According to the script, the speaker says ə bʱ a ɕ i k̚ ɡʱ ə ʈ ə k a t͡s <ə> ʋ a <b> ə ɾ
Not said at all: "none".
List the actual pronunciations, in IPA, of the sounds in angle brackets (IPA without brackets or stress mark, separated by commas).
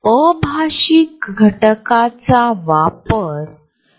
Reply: a, p